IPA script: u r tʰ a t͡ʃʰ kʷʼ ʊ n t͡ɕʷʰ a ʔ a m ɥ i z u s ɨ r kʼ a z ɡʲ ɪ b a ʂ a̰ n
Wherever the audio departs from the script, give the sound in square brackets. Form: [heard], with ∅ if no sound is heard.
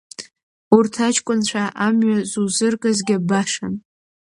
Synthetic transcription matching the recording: u r tʰ a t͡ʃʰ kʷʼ ʊ n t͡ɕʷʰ a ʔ a m ɥ [a] z u [z] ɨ r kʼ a z ɡʲ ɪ b a ʂ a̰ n